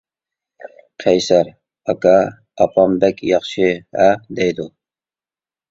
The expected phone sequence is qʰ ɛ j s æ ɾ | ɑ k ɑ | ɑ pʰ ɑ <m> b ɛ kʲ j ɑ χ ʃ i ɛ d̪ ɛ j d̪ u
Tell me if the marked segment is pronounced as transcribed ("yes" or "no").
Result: yes